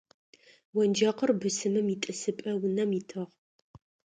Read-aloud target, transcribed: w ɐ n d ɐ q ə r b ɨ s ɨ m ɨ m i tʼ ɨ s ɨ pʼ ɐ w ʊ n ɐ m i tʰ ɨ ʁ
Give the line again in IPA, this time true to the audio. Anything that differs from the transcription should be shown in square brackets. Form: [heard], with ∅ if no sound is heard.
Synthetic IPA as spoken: w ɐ n [d͡ʒ] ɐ q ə r b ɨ s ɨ m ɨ m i tʼ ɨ s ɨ pʼ ɐ w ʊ n ɐ m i tʰ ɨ ʁ